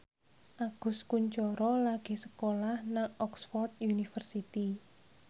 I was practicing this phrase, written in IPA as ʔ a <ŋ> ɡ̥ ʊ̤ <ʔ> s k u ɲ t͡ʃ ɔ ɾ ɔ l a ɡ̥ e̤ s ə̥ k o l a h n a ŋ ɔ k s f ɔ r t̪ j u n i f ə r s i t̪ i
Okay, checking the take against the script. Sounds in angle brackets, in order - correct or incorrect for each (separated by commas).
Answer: incorrect, incorrect